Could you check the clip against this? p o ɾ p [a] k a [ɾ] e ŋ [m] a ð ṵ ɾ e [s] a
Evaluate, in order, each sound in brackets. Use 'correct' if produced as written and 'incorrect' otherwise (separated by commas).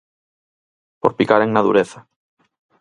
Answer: incorrect, correct, incorrect, incorrect